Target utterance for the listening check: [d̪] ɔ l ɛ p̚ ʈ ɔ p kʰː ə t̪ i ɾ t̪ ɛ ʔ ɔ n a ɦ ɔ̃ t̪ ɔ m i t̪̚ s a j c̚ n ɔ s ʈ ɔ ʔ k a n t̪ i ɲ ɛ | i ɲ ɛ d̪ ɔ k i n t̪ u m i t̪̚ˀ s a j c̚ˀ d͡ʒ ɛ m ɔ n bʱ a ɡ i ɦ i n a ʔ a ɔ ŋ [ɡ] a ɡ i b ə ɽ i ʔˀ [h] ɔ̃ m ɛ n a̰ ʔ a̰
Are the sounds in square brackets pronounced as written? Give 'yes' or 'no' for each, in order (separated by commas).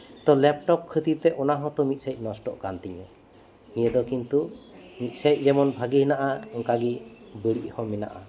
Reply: no, no, yes